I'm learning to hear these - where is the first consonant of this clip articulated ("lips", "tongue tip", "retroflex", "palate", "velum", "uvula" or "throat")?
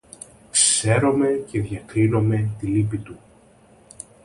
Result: velum